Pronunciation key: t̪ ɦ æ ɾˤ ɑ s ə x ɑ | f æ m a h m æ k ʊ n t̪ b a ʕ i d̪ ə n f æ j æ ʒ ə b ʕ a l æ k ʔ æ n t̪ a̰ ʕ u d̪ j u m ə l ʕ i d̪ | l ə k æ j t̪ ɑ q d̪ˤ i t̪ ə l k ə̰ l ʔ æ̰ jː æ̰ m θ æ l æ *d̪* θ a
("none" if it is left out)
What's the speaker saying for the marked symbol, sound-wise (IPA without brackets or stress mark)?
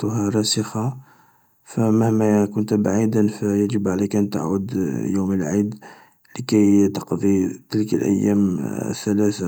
none